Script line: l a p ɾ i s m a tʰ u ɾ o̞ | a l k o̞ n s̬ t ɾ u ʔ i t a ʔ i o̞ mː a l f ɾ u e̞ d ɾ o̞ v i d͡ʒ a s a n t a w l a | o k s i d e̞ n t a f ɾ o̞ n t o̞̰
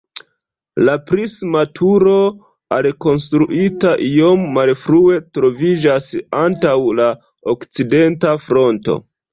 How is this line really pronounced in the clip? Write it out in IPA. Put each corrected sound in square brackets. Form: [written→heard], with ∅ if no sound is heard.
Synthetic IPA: l a p ɾ i s m a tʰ u ɾ o̞ | a l k o̞ n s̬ t ɾ u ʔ i t a ʔ i o̞ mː a l f ɾ u e̞ [d→t] ɾ o̞ v i d͡ʒ a s a n t a w l a | o k [s→t͡s] i d e̞ n t a f ɾ o̞ n t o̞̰